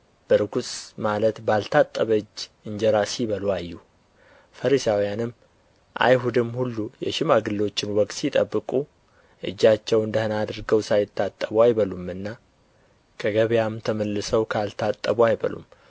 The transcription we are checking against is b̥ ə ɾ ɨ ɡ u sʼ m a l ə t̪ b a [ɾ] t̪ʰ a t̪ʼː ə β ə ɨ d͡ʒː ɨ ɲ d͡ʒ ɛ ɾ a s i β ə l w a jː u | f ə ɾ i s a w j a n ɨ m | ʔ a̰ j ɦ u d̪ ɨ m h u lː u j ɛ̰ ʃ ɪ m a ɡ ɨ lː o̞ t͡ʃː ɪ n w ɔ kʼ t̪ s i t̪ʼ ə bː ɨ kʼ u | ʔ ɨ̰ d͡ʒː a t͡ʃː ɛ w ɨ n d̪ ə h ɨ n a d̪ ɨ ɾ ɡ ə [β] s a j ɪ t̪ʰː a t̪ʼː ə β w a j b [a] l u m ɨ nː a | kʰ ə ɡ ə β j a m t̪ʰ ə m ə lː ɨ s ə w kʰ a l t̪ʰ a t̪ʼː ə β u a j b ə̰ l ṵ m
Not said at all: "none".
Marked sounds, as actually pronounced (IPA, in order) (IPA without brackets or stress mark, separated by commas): l, w, ə